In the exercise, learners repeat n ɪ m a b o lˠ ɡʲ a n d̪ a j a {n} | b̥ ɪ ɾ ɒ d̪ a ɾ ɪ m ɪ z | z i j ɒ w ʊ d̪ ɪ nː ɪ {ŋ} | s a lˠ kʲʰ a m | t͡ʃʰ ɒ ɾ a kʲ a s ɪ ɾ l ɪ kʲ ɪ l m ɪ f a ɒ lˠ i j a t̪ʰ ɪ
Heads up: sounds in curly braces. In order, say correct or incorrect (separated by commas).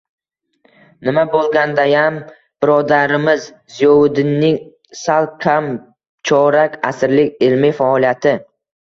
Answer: incorrect, correct